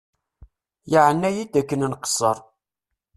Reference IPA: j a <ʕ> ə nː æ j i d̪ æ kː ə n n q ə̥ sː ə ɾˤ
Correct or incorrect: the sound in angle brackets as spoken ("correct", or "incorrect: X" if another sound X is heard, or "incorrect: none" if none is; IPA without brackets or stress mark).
correct